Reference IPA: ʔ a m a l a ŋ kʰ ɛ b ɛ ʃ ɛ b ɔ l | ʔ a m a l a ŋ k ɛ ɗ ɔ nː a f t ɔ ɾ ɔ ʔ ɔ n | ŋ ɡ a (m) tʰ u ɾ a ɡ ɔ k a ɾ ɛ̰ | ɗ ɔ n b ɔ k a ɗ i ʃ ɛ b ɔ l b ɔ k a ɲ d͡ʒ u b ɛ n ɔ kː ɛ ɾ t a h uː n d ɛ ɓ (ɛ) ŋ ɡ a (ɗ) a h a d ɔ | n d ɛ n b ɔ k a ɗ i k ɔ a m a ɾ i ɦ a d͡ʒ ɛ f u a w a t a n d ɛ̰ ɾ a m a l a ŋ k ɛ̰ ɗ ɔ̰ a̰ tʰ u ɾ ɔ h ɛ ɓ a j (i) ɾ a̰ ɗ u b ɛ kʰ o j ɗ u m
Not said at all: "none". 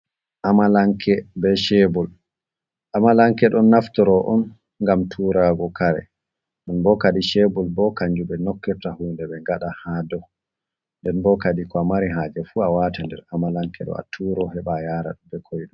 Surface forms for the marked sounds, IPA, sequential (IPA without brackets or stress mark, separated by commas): m, ɛ, ɗ, a